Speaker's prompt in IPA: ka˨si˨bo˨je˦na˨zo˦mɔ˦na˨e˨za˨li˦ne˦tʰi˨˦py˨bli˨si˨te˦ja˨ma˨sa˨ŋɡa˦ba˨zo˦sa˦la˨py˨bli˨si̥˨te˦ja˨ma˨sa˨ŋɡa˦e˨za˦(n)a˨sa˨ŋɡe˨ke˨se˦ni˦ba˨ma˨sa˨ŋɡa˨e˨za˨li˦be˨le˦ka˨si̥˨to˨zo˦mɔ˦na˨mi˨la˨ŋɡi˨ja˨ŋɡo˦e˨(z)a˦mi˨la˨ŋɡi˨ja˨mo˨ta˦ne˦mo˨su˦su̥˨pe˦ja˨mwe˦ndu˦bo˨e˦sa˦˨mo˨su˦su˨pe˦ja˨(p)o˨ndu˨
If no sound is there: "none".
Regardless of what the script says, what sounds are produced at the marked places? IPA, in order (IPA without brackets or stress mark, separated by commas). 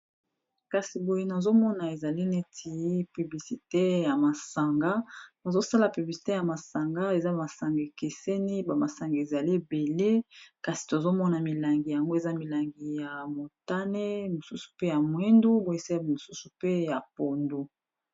m, z, p